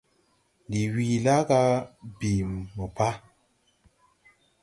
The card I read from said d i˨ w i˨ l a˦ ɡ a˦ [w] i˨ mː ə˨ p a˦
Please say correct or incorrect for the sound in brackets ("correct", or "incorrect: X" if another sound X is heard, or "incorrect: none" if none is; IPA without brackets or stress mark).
incorrect: b